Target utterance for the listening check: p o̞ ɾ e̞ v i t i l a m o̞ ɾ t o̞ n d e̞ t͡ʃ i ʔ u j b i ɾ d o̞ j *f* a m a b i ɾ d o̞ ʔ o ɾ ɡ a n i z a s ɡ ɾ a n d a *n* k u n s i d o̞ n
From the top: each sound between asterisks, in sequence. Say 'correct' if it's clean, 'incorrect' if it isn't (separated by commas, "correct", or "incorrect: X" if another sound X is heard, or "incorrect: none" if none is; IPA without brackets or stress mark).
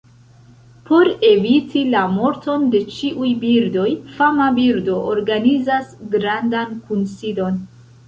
correct, correct